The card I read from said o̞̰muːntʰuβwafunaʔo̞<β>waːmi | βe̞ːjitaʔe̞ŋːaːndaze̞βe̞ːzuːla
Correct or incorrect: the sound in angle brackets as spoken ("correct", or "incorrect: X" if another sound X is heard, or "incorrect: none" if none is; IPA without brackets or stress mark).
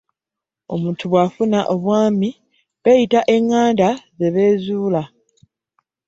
correct